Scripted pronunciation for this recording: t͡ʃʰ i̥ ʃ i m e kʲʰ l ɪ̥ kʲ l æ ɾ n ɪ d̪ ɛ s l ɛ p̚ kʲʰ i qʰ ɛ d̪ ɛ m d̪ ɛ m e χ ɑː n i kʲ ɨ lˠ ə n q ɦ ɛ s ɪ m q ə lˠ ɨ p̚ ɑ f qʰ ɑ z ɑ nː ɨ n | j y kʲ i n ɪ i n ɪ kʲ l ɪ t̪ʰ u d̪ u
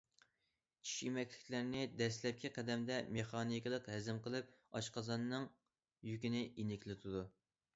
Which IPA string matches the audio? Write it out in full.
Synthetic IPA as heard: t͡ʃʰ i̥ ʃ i m ɛ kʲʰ l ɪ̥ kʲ l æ ɾ n ɪ d̪ ɛ s l ɛ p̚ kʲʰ i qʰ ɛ d̪ ɛ m d̪ ɛ m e χ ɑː n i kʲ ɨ lˠ ə q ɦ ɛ z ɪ m q ə lˠ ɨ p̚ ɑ ʃ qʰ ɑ z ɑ nː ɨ ŋ | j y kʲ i n ɪ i n ɪ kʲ l ɪ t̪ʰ u d̪ u